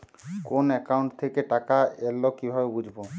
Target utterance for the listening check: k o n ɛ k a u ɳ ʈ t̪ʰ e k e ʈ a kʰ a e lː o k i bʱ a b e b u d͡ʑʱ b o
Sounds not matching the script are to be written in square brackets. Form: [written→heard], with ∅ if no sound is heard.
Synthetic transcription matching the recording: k o n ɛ k a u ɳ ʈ t̪ʰ e k e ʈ a [kʰ→k] a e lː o k i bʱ a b e b u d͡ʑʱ b o